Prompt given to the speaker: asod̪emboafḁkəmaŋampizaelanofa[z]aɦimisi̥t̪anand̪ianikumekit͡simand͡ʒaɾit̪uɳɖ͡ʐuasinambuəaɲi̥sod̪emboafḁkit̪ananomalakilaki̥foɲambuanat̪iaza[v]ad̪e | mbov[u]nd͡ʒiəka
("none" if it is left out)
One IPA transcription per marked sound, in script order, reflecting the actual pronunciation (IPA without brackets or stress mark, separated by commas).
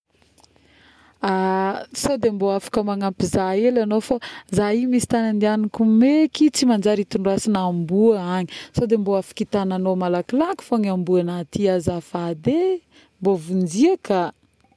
z, f, u